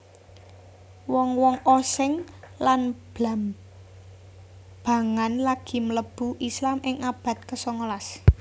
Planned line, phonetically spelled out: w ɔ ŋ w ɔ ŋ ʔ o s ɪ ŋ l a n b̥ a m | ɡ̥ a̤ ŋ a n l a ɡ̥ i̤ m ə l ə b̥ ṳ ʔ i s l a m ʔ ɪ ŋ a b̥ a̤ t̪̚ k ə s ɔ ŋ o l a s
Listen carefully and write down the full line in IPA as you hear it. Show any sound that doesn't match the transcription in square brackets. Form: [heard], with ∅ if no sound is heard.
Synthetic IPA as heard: w ɔ ŋ w ɔ ŋ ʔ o s ɪ ŋ l a n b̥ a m | [b̥] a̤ ŋ a n l a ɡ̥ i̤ m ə l ə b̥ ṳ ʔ i s l a m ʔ ɪ ŋ a b̥ a̤ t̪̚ k ə s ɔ ŋ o l a s